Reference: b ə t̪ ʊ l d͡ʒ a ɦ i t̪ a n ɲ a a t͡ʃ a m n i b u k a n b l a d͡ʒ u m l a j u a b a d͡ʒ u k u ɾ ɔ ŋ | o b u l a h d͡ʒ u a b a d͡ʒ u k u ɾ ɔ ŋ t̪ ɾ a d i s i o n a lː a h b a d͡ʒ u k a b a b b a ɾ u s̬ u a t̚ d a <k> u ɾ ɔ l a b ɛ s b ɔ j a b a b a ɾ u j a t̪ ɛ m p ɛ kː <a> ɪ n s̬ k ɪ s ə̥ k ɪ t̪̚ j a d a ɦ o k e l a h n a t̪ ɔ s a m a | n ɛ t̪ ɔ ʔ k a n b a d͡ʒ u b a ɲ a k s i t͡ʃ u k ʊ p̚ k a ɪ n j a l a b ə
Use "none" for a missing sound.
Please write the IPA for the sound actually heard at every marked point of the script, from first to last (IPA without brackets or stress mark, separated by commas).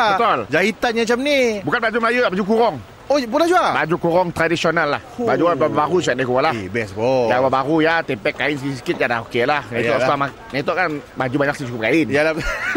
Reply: k, a